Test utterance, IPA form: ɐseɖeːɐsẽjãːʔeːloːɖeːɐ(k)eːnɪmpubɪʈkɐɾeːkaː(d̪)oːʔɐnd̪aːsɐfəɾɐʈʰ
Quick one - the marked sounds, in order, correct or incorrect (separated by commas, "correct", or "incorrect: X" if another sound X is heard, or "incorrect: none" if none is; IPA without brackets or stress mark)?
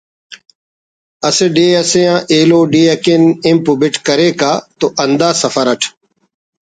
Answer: correct, incorrect: t̪